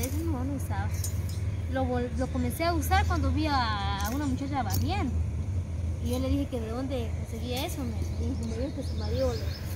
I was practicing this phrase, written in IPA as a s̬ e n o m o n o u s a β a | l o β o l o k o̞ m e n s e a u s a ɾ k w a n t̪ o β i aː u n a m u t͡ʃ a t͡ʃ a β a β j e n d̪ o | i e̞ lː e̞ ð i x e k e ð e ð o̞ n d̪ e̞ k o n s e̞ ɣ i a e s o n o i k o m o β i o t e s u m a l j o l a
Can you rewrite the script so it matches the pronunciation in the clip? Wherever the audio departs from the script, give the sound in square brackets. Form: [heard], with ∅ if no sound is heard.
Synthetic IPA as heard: [e] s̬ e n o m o n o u s a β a | l o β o l o k o̞ m e n s e a u s a ɾ k w a n [d̪] o β i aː u n a m u t͡ʃ a t͡ʃ a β a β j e n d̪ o | i e̞ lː e̞ ð i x e k e ð e ð o̞ n d̪ e̞ k o n s e̞ ɣ i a e s o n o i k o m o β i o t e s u m a [ɾ] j o l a

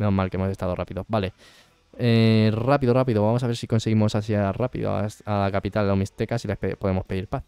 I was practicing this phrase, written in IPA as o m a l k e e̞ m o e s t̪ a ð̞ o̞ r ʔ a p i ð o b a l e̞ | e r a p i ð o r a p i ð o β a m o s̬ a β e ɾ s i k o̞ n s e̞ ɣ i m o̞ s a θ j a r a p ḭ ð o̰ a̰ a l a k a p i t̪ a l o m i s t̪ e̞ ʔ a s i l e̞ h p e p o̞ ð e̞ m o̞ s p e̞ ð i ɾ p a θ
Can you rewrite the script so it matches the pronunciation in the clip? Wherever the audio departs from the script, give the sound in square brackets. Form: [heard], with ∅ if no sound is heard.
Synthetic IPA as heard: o m a l k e e̞ m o e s t̪ a ð̞ o̞ r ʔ a p i ð o b a l e̞ | e r a p i ð o r a p i ð o β a m o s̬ a β e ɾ s i k o̞ n s e̞ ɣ i m o̞ s a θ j a r a p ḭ ð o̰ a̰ a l a k a p i t̪ a l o m i s t̪ e̞ [k] a s i l e̞ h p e p o̞ ð e̞ m o̞ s p e̞ ð i ɾ p a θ

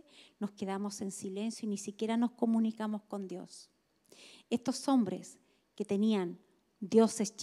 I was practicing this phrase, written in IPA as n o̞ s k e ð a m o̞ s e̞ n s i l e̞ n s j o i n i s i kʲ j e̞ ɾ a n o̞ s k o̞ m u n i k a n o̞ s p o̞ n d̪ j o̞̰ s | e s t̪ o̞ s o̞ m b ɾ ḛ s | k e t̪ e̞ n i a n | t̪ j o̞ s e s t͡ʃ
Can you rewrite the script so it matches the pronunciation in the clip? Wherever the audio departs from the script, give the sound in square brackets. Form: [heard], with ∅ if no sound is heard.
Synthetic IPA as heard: n o̞ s k e ð a m o̞ s e̞ n s i l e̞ n s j o i n i s i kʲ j e̞ ɾ a n o̞ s k o̞ m u n i k a [m] o̞ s [k] o̞ n d̪ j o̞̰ s | e s t̪ o̞ s o̞ m b ɾ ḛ s | k e t̪ e̞ n i a n | [d̪] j o̞ s e s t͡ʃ

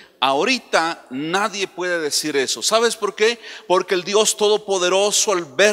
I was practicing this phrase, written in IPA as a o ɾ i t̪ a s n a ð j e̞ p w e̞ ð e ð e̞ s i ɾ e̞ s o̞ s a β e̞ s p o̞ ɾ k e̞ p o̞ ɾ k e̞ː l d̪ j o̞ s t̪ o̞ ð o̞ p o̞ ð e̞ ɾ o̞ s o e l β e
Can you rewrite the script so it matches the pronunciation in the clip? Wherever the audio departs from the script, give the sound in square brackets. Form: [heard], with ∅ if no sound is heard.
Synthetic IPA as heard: a o ɾ i t̪ a [∅] n a ð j e̞ p w e̞ ð e ð e̞ s i ɾ e̞ s o̞ s a β e̞ s p o̞ ɾ k e̞ p o̞ ɾ k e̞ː l d̪ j o̞ s t̪ o̞ ð o̞ p o̞ ð e̞ ɾ o̞ s o [a] l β e

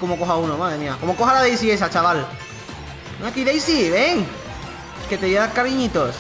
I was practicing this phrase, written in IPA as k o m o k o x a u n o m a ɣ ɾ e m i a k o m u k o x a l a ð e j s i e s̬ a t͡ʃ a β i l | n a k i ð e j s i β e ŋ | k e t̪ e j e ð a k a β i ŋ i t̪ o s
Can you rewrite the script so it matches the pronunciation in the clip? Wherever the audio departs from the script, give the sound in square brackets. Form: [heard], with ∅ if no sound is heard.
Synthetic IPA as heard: k o m o k o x a u n o m a [ð] ɾ e m i a k o m [o] k o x a l a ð e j s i e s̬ a t͡ʃ a β [a] l | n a k i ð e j s i β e ŋ | k e t̪ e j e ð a k a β i [ɲ] i t̪ o s

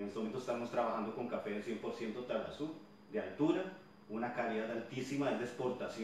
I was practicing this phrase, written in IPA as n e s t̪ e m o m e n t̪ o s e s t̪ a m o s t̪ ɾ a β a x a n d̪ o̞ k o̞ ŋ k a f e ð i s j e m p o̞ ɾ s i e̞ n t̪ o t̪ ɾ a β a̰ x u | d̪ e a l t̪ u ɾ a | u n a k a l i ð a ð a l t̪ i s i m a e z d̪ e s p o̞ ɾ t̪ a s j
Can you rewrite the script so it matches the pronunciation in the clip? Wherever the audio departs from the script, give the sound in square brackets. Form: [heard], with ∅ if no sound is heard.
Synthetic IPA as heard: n e s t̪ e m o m e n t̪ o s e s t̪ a m o s t̪ ɾ a β a x a n d̪ o̞ k o̞ ŋ k a f e ð [e] s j e m p o̞ ɾ s [j] e̞ n t̪ o t̪ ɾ a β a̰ [s] u | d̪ e a l t̪ u ɾ a | u n a k a l i ð a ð a l t̪ i s i m a e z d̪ e s p o̞ ɾ t̪ a s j

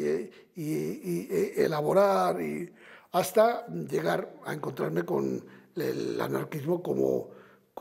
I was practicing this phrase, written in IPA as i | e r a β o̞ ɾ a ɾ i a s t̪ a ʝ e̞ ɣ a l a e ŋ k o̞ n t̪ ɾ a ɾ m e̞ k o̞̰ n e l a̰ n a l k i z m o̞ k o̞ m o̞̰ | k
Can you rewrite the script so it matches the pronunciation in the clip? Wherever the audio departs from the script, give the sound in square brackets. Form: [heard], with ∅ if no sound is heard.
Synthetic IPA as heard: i | e [l] a β o̞ ɾ a ɾ i a s t̪ a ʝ e̞ ɣ a [ɾ] a e ŋ k o̞ n t̪ ɾ a ɾ m e̞ k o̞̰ n e l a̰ n a [ɾ] k i z m o̞ k o̞ m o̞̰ | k

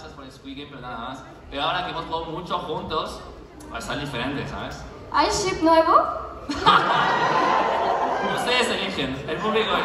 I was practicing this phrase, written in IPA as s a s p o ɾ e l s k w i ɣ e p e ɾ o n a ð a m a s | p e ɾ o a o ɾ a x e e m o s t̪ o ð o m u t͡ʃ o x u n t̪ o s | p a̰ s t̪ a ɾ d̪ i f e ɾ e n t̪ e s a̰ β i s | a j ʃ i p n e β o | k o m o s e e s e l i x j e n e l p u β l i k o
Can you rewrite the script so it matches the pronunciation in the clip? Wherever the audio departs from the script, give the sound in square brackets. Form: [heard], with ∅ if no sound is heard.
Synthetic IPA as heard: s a s p o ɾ e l s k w i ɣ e p e ɾ o n a ð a m a s | p e ɾ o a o ɾ a [k] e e m o s t̪ o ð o m u t͡ʃ o x u n t̪ o s | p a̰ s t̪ a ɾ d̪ i f e ɾ e n t̪ e s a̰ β [e] s | a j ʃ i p n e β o | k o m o s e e s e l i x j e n e l p u β l i k o

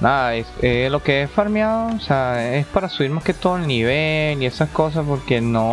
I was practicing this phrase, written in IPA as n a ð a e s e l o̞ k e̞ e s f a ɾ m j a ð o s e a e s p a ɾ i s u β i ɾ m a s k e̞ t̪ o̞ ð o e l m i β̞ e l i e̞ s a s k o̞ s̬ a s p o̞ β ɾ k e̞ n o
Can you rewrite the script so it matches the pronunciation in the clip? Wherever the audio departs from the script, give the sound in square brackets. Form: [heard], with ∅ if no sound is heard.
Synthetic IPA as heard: n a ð a e s e l o̞ k e̞ e s f a ɾ m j a ð o s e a e s p a ɾ [a] s u β i ɾ m a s k e̞ t̪ o̞ ð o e l [n] i β̞ e l i e̞ s a s k o̞ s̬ a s p o̞ [∅] ɾ k e̞ n o

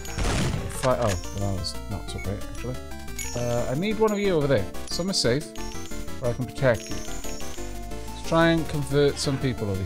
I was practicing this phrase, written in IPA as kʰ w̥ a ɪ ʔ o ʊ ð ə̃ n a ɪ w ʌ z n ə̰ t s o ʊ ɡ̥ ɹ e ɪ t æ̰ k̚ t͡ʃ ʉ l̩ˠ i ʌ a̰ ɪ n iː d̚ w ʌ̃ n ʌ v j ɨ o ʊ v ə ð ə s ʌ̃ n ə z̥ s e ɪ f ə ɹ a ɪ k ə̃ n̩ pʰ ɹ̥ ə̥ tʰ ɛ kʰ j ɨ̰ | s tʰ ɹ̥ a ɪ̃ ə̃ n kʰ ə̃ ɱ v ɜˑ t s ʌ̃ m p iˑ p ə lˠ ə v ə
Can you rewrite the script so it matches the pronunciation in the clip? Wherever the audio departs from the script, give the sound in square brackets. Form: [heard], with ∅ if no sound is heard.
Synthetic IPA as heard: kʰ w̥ a ɪ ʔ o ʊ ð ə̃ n a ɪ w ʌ z n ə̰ t s o ʊ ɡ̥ ɹ e ɪ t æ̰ k̚ t͡ʃ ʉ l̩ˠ i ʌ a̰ ɪ n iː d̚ w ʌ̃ n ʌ v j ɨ o ʊ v ə ð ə s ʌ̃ [m] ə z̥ s e ɪ f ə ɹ a ɪ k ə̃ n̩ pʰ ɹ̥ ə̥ tʰ ɛ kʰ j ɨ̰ | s tʰ ɹ̥ a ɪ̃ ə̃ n kʰ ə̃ ɱ v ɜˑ t s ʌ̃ m p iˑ p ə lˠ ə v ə

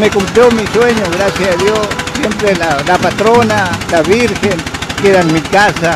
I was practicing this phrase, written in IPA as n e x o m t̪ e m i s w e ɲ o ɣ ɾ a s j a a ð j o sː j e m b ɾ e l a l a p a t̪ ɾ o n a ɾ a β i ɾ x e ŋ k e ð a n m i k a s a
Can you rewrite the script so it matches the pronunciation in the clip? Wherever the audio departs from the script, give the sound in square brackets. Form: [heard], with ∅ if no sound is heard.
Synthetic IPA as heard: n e [k] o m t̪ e m i s w e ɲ o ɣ ɾ a s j a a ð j o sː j e m [p] ɾ e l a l a p a t̪ ɾ o n a [l] a β i ɾ x e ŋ k e ð a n m i k a s a

